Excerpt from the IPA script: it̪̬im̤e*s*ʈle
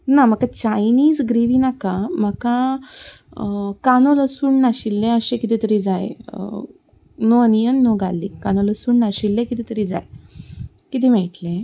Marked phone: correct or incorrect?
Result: incorrect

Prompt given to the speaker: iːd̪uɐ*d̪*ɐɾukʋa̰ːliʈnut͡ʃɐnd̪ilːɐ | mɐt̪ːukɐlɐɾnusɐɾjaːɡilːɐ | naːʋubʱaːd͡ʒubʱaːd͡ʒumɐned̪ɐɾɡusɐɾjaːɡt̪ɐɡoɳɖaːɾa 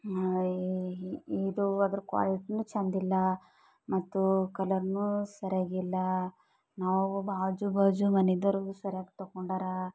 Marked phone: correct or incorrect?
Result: correct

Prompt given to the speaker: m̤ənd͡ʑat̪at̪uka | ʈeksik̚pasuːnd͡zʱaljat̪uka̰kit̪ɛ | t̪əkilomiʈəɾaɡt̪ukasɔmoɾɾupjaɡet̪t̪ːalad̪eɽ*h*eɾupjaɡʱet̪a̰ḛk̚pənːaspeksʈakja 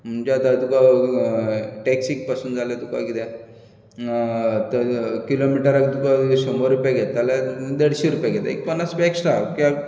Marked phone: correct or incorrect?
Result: incorrect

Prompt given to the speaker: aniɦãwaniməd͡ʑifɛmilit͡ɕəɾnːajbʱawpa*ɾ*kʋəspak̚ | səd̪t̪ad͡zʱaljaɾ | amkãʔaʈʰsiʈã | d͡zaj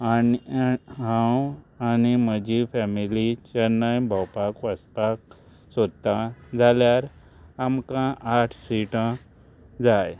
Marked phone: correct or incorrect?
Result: incorrect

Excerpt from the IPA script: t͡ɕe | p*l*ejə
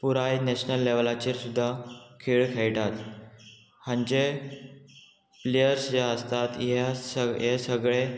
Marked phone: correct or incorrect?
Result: correct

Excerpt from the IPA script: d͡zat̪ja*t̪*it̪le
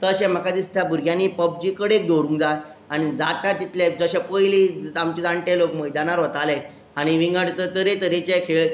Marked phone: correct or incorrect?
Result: correct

